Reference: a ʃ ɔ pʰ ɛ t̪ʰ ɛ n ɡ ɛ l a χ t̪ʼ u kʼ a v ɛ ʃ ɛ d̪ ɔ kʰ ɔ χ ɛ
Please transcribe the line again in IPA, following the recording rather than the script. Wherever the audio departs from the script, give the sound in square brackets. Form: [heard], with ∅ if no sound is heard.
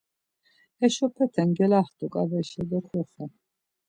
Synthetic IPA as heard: [ɛ] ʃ ɔ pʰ ɛ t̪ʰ ɛ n ɡ ɛ l a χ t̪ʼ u kʼ a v ɛ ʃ ɛ d̪ ɔ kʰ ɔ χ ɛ